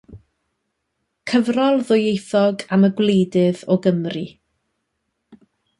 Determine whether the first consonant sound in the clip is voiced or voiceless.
voiceless